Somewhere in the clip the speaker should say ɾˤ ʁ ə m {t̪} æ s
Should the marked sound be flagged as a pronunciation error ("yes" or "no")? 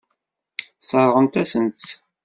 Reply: no